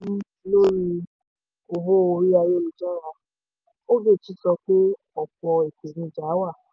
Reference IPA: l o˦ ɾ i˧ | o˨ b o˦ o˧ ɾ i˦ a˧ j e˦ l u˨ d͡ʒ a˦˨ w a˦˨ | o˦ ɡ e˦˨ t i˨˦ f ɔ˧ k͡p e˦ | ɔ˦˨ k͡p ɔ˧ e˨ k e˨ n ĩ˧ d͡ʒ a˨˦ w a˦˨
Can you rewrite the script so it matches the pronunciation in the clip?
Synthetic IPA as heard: l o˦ ɾ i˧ | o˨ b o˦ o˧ ɾ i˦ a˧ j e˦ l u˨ d͡ʒ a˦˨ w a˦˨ | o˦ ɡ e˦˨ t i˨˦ s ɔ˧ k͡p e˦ | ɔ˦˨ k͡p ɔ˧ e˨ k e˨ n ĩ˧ d͡ʒ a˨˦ w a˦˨